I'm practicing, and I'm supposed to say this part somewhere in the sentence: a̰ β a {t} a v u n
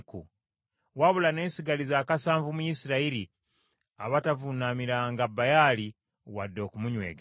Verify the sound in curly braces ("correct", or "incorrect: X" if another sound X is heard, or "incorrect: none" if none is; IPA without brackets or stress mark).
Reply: correct